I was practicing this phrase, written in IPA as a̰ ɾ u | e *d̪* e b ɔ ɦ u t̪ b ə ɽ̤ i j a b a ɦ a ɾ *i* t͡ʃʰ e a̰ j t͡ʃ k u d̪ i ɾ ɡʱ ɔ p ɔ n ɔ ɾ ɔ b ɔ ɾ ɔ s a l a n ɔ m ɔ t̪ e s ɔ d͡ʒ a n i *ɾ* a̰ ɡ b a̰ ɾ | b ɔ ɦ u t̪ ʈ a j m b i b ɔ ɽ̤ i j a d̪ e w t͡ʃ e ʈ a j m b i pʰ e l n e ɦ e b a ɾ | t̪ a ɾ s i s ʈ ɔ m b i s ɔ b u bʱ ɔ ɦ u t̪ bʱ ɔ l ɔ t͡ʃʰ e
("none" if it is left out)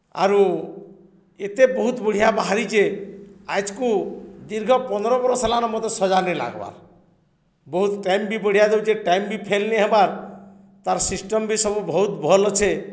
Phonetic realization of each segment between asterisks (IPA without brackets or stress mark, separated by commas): t̪, i, l